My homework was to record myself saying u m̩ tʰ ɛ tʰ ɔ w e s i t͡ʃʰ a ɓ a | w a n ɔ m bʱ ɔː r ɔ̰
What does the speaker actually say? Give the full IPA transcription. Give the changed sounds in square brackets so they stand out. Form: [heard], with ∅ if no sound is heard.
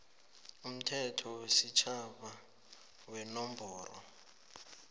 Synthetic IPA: u m̩ tʰ ɛ tʰ ɔ w e s i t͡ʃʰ a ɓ a | w [ɛ] n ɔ m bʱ ɔː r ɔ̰